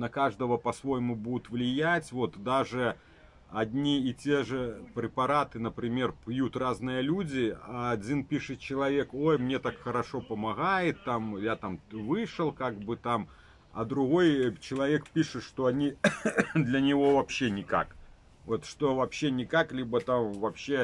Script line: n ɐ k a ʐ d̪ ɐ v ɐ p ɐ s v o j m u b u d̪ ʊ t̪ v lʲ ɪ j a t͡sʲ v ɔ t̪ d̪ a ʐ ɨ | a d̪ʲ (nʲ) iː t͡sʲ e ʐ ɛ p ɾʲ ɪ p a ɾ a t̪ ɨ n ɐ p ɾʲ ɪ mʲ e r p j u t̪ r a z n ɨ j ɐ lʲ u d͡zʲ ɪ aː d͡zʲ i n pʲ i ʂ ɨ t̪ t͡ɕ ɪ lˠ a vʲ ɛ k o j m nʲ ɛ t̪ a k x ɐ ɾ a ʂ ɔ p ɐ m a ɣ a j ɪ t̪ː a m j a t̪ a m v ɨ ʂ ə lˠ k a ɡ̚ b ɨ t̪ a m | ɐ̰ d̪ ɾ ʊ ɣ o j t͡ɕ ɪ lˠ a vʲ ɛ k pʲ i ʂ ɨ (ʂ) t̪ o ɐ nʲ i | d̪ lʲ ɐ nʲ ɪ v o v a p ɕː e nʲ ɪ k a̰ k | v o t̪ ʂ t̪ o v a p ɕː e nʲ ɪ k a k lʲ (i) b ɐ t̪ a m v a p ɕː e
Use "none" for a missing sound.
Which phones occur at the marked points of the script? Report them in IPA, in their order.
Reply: nʲ, ʂ, i

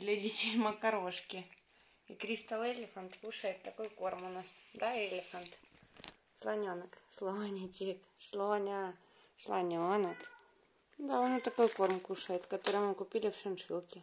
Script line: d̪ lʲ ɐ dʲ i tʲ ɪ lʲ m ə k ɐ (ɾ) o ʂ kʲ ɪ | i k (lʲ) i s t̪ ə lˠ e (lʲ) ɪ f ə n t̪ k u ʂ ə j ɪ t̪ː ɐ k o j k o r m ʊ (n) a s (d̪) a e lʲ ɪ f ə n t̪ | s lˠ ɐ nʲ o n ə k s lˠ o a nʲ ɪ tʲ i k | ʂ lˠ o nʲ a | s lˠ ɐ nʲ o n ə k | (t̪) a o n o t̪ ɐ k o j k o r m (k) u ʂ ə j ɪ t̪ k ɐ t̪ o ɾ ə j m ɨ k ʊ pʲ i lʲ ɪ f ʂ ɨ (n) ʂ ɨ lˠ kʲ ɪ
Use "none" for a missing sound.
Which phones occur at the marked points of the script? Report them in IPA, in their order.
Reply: ɾ, ɾʲ, lʲ, n, d̪, d̪, k, n

